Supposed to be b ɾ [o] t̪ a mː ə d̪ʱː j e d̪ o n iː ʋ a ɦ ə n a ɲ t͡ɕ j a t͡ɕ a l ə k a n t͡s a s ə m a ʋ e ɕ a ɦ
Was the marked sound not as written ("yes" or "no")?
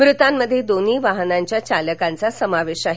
yes